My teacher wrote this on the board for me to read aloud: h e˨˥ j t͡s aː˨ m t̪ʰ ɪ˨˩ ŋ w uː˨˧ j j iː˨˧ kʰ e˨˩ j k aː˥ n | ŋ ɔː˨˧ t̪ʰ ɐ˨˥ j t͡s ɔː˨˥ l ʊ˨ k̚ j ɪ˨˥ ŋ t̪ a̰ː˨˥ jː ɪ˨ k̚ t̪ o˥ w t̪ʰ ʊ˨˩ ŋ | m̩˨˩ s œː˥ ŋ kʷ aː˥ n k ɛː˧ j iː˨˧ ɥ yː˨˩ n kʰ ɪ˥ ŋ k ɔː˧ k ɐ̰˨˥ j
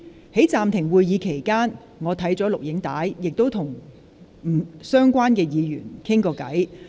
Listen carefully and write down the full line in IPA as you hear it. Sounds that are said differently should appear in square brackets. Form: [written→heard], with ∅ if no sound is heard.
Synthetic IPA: h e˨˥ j t͡s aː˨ m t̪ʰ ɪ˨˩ ŋ w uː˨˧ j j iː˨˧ kʰ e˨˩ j k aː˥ n | ŋ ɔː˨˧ t̪ʰ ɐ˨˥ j t͡s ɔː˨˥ l ʊ˨ k̚ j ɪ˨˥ ŋ t̪ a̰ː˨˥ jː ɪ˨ k̚ t̪ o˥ w t̪ʰ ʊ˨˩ ŋ | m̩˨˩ s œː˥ ŋ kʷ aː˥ n k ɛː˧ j iː˨˧ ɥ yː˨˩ n kʰ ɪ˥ ŋ k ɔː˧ k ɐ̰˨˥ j